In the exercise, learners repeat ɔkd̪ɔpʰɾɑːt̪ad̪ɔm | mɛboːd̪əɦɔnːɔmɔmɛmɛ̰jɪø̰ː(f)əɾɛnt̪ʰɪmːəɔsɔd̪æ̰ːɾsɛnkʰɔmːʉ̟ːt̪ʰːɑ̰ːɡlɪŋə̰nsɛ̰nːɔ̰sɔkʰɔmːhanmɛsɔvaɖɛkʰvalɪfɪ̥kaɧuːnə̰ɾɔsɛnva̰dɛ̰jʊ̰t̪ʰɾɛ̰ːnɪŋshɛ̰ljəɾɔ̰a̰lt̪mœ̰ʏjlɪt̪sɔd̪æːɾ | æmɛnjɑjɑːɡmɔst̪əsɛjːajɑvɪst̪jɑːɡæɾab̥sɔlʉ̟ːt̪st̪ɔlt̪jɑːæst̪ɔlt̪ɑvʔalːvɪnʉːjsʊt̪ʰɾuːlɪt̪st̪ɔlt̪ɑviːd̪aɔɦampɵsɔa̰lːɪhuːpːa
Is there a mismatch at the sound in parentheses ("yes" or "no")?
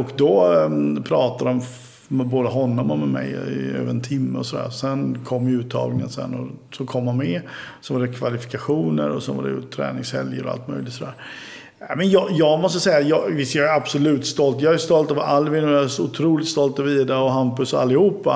yes